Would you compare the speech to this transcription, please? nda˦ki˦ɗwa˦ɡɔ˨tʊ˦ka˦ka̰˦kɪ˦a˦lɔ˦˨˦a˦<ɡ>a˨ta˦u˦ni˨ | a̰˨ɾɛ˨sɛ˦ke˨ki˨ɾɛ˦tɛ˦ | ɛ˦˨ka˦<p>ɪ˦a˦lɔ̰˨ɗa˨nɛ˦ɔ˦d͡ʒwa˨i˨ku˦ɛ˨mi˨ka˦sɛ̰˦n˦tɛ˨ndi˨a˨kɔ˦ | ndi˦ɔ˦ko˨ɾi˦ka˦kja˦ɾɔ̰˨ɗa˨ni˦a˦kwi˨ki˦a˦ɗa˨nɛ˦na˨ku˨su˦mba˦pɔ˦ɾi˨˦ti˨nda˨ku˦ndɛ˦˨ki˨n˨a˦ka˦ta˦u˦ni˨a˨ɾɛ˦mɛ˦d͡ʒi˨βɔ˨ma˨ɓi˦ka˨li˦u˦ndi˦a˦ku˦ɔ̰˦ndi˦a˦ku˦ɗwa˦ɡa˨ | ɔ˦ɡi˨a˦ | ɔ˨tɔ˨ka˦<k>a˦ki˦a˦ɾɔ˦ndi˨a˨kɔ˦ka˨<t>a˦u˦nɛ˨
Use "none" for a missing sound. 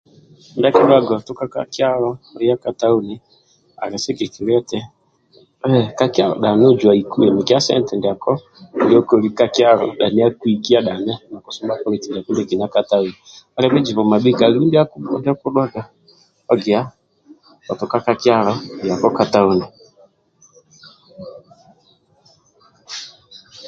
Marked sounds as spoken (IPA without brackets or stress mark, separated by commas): k, k, k, t